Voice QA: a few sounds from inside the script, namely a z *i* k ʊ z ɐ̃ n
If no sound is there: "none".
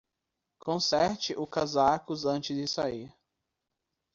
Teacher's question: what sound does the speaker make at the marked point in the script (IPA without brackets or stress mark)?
a